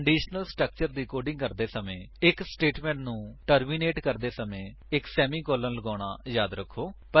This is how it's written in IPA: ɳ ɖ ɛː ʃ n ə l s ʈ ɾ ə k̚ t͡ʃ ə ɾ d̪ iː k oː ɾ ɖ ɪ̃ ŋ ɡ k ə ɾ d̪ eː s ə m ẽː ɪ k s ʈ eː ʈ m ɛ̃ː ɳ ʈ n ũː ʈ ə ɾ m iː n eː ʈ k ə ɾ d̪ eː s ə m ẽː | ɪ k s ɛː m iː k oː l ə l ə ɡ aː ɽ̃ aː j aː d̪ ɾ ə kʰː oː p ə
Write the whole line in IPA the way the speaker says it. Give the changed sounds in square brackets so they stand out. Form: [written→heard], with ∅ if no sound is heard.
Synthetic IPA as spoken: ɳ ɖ [ɛː→iː] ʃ n ə l s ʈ ɾ ə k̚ t͡ʃ ə ɾ d̪ iː k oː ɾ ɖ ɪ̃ ŋ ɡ k ə ɾ d̪ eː s ə m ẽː ɪ k s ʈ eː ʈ m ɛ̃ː ɳ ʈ n ũː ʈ ə ɾ m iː n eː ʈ k ə ɾ d̪ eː s ə m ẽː | ɪ k s ɛː m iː k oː l ə l ə ɡ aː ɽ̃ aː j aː d̪ ɾ ə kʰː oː p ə